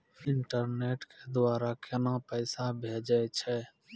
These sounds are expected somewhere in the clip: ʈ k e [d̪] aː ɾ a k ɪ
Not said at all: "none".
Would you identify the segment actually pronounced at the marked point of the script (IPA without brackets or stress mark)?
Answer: d̪